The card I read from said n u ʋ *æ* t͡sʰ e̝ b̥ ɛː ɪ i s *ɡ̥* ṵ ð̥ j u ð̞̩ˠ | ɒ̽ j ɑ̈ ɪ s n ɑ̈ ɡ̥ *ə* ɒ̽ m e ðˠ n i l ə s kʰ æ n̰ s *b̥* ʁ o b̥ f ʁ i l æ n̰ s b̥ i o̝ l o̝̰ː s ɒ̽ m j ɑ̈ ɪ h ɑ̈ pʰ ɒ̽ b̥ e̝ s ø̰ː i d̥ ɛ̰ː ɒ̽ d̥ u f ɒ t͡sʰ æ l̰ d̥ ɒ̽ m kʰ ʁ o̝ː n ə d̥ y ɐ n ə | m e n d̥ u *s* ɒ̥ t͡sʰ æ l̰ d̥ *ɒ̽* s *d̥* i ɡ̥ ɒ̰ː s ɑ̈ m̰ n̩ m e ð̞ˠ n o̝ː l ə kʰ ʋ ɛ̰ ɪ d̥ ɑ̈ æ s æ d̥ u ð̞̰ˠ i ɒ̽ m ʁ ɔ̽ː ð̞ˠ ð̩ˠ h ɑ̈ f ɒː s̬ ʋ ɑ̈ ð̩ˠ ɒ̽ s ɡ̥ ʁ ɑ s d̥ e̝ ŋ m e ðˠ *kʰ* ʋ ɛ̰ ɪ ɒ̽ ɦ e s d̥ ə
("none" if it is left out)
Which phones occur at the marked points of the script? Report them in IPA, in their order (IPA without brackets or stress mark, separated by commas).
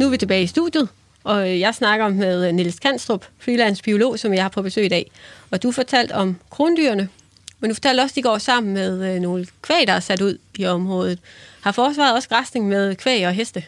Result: i, d̥, ɐ, d̥, f, ɒ̽, d̥, kʰ